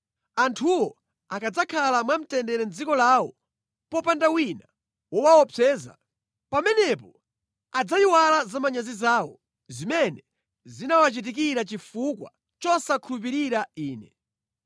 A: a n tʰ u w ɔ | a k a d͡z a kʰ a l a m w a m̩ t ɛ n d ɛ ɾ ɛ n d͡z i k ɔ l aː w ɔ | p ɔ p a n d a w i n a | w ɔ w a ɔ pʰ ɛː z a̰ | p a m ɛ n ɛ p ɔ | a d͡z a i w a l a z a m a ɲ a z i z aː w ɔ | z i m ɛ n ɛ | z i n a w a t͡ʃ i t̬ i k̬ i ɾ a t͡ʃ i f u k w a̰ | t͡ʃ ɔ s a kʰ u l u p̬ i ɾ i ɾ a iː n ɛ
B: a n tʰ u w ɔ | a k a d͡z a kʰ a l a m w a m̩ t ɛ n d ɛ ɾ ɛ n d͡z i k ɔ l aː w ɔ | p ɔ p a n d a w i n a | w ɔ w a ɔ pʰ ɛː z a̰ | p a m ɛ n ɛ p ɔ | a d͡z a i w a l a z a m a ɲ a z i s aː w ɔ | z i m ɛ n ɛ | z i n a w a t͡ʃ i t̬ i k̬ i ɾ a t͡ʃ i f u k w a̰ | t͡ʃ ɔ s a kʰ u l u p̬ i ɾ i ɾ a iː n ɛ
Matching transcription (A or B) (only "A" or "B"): A